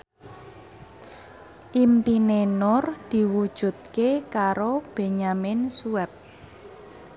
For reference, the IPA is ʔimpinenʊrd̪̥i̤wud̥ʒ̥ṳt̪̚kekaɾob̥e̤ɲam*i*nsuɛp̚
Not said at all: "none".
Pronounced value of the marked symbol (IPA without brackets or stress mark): ɪ